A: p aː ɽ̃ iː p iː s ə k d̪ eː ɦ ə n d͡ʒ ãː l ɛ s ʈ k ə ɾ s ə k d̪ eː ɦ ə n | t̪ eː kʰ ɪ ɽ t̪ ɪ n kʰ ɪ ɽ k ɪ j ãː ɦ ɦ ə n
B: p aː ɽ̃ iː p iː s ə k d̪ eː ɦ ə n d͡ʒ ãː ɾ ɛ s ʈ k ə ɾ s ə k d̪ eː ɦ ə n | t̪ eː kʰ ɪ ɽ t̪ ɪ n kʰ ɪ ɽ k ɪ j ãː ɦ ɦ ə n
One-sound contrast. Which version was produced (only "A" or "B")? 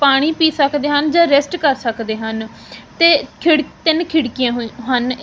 B